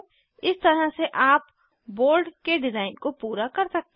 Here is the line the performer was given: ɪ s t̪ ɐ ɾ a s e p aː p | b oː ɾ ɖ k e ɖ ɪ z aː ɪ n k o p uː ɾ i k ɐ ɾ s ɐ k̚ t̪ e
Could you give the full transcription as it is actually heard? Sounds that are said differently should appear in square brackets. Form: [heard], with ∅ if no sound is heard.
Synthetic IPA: ɪ s t̪ ɐ ɾ a s e [ʔ] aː p | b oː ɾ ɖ k e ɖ ɪ z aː ɪ n k o p uː ɾ [a] k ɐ ɾ s ɐ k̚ t̪ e